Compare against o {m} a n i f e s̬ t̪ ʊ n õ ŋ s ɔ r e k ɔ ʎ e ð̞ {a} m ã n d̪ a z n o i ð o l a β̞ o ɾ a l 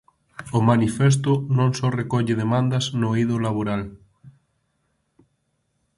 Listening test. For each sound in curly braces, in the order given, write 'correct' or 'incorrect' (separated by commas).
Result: correct, incorrect